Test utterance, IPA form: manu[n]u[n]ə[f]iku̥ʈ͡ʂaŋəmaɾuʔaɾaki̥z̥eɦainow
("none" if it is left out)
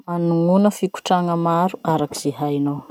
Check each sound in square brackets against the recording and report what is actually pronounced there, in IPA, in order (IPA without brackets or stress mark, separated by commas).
ŋ, n, f